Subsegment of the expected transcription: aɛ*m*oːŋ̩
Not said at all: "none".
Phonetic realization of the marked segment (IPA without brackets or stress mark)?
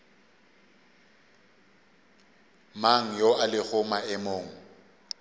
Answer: m